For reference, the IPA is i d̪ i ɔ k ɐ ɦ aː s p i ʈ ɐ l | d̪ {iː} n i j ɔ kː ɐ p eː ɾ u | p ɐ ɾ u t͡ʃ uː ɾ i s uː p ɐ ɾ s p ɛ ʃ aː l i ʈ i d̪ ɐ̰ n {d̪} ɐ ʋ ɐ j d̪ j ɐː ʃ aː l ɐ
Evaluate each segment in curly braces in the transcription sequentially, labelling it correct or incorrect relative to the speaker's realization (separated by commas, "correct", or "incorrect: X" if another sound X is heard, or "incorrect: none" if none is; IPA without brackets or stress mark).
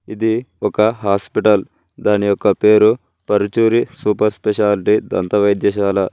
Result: incorrect: aː, incorrect: t̪